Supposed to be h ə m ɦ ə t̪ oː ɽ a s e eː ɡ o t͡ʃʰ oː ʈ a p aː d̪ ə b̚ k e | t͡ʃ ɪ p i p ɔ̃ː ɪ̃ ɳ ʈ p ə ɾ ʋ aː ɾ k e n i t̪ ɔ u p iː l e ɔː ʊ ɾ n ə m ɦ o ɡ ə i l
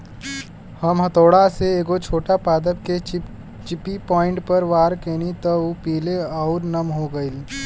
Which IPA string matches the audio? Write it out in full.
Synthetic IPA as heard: h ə m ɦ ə t̪ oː ɽ a s e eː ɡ o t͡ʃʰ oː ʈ a p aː d̪ ə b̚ k e | t͡ʃ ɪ p i p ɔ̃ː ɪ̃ ɳ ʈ p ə ɾ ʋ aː ɾ k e n i t̪ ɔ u p iː l e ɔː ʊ ɾ n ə m ɦ o ɡ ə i l